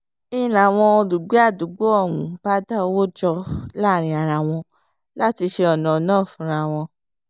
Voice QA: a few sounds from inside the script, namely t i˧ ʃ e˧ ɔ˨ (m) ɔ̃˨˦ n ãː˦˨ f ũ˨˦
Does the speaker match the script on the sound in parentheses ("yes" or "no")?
no